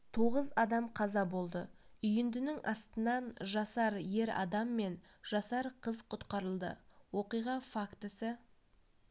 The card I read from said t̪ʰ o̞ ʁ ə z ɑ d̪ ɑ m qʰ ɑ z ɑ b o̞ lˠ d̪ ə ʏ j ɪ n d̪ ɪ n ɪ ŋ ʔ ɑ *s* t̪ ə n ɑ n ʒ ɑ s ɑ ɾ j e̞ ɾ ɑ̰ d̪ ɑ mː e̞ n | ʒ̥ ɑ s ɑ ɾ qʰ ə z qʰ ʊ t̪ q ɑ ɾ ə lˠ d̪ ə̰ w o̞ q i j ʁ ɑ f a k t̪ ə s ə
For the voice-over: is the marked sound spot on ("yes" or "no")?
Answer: yes